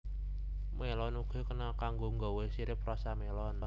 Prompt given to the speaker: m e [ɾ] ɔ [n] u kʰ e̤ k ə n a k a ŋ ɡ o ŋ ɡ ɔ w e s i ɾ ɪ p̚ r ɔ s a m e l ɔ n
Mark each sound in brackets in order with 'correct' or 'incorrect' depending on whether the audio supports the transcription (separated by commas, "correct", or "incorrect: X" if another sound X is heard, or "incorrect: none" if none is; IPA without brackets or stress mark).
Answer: incorrect: l, correct